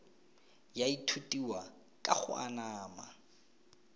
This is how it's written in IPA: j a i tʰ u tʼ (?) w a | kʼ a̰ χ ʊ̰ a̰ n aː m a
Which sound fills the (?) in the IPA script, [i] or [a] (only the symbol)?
i